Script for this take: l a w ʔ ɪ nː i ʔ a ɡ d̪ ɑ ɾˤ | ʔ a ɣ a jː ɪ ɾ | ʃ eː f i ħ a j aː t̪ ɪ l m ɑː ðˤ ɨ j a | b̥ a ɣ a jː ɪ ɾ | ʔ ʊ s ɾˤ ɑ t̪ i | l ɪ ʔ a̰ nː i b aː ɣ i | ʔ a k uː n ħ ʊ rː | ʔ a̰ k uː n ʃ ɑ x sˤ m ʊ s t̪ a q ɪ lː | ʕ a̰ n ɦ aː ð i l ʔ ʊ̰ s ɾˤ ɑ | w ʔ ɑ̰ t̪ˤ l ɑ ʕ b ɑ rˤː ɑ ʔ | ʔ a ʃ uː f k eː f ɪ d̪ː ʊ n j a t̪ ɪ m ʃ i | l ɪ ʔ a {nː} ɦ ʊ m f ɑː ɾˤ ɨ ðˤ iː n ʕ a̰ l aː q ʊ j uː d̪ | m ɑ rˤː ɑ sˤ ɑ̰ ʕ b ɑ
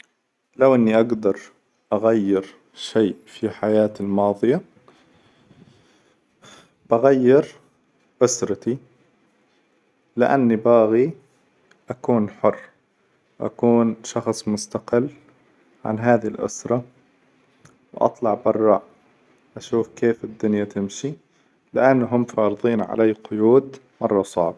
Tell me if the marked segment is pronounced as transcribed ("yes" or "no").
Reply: yes